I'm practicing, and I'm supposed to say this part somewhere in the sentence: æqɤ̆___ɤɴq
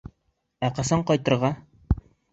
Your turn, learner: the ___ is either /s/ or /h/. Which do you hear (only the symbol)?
s